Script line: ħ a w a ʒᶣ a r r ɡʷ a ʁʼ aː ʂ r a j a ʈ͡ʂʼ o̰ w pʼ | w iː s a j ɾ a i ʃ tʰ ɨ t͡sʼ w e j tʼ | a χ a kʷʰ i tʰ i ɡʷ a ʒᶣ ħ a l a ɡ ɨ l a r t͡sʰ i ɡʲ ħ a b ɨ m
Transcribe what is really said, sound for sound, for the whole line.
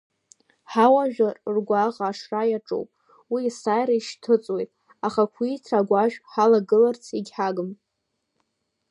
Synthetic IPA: ħ a w a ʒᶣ a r r ɡʷ a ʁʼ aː ʂ r a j a ʈ͡ʂʼ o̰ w pʼ | w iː s a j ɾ a i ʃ tʰ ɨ t͡sʼ w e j tʼ | a χ a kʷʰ i tʰ a ɡʷ a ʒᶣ ħ a l a ɡ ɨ l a r t͡sʰ i ɡʲ ħ a ɡ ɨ m